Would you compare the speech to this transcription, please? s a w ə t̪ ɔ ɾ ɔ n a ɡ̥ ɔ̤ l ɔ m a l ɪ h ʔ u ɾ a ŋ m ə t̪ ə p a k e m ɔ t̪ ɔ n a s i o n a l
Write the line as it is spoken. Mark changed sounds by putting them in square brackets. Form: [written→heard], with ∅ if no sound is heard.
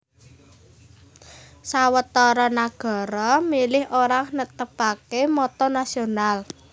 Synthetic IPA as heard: s a w ə t̪ ɔ ɾ ɔ n a ɡ̥ ɔ̤ [l→ɾ] ɔ m [a→i] l ɪ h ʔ [u→o] ɾ a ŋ [m→n] ə t̪ ə p a k e m ɔ t̪ ɔ n a s i o n a l